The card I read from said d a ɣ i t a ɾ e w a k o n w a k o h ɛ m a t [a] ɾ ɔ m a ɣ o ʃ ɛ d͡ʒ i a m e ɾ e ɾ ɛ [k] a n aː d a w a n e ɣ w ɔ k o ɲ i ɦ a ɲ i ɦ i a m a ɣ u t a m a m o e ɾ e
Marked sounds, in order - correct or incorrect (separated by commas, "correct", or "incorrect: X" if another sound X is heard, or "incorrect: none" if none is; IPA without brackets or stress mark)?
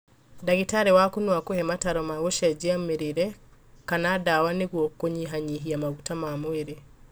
correct, correct